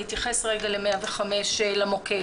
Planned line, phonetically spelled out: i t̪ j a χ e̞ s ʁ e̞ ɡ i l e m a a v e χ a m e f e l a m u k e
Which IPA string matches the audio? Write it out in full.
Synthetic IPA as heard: i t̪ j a χ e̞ s ʁ e̞ ɡ a l e m e a v e χ a m e ʃ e l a m o k e